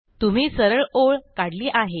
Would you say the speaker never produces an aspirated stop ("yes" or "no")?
yes